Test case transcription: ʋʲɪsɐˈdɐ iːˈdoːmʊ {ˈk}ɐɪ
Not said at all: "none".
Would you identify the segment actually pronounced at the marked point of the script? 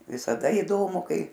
k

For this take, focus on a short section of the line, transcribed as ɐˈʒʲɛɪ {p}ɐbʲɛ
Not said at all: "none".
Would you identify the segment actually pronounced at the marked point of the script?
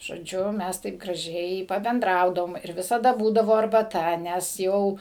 p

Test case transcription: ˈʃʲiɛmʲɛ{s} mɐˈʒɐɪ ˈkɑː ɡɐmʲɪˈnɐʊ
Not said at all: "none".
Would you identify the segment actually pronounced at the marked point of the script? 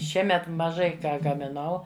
t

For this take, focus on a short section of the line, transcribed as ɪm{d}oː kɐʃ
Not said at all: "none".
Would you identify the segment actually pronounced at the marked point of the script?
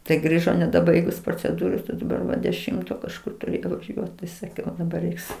t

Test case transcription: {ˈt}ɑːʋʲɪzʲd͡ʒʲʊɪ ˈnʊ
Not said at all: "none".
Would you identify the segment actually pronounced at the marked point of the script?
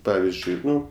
p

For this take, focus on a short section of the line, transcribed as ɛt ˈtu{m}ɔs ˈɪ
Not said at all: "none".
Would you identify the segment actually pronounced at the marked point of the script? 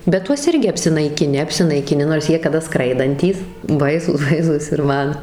none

